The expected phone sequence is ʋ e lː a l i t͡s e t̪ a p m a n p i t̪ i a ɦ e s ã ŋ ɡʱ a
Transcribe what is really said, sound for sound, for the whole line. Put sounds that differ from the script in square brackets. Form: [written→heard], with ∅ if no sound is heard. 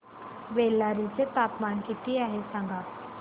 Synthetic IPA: ʋ e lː a [l→ɾ] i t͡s e t̪ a p m a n [p→k] i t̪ i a ɦ e s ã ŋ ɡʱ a